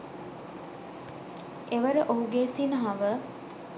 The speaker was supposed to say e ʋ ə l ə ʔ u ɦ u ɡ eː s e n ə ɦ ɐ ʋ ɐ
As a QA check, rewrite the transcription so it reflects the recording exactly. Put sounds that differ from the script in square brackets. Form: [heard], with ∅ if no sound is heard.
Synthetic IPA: e ʋ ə [ɾ] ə ʔ [o] ɦ u ɡ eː s [i] n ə ɦ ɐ ʋ [ə]